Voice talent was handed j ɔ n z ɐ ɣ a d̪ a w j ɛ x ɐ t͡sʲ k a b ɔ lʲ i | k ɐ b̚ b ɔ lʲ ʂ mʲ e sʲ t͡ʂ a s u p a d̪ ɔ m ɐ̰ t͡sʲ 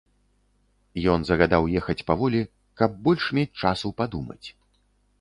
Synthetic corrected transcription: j ɔ n z ɐ ɣ a d̪ a w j ɛ x ɐ t͡sʲ p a v ɔ lʲ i | k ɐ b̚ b ɔ lʲ ʂ mʲ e t͡sʲ t͡ʂ a s u p a d̪ u m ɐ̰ t͡sʲ